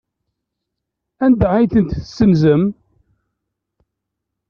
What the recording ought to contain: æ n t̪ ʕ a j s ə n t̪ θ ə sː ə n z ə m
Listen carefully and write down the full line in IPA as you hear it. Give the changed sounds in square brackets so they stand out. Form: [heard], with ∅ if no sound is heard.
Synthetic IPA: æ n [d̪] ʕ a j [θ] ə n t̪ θ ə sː ə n z ə m